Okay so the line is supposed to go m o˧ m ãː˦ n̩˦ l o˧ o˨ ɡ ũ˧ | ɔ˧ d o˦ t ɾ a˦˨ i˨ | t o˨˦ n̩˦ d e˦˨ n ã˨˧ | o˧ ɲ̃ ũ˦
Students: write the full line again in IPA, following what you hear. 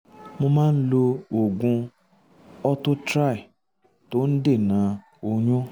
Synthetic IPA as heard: m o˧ m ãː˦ n̩˦ l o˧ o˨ ɡ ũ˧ | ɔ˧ t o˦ t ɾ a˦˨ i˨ | t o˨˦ n̩˦ d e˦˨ n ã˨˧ | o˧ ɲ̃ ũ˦